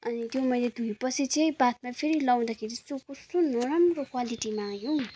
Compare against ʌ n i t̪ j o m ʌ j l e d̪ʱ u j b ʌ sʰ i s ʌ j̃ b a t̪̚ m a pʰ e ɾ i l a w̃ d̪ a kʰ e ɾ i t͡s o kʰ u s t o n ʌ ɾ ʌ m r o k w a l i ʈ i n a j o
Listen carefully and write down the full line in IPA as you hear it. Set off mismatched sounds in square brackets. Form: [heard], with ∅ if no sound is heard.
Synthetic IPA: ʌ n i t̪ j o m ʌ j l e d̪ʱ u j [p] ʌ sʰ i [t͡s] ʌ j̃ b a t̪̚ m a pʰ e ɾ i l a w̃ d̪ a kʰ e ɾ i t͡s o [k] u s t o n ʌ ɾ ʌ m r o k w a l i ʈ i [m] a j o